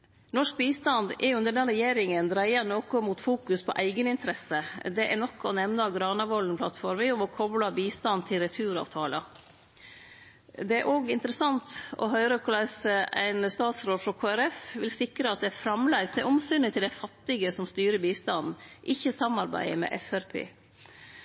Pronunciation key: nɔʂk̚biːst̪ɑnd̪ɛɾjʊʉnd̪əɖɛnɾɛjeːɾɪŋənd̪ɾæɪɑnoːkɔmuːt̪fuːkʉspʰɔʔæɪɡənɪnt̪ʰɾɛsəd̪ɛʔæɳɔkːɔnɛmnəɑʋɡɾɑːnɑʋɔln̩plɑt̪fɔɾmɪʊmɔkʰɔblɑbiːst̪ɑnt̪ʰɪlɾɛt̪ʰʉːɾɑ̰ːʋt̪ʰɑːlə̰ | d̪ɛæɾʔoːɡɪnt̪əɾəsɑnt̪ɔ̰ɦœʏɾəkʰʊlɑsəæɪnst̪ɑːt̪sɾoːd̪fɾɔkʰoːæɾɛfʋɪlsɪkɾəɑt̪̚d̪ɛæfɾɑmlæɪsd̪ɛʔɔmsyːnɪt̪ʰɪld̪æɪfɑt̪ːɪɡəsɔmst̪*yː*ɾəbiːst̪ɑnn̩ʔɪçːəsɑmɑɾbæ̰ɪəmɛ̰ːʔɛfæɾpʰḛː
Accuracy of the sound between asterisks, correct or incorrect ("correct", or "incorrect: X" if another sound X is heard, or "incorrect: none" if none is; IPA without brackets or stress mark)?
correct